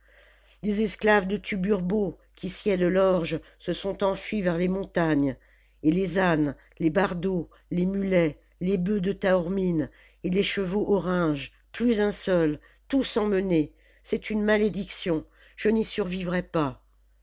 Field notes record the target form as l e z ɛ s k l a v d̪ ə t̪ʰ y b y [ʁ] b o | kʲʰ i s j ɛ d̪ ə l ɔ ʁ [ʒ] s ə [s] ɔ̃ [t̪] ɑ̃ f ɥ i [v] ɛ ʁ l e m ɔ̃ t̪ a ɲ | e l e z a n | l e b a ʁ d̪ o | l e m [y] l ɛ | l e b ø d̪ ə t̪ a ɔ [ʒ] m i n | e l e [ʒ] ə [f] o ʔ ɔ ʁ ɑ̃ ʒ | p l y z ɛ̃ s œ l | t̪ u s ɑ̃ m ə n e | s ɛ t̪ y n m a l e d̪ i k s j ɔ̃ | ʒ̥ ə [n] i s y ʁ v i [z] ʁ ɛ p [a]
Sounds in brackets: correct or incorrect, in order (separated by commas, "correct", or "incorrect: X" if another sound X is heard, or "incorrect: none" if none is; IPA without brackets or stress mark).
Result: correct, correct, correct, correct, correct, correct, incorrect: ʁ, incorrect: ʃ, incorrect: v, correct, incorrect: v, correct